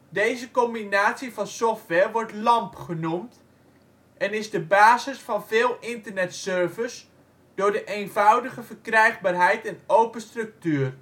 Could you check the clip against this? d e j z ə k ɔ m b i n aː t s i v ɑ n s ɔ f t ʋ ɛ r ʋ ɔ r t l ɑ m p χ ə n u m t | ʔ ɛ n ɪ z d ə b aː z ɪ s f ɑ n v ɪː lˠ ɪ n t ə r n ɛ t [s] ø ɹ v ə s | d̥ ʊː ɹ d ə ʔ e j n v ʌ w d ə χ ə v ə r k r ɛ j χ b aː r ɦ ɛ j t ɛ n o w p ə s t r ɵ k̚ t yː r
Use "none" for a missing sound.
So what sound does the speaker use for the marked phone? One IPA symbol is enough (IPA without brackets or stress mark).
s